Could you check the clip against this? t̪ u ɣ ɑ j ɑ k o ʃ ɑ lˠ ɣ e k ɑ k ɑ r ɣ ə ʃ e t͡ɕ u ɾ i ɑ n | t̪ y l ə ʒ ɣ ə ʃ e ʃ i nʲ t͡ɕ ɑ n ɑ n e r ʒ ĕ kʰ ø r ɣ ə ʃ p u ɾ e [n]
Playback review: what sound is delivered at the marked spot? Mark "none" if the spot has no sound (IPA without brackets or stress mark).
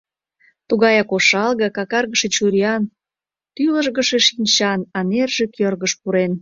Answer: n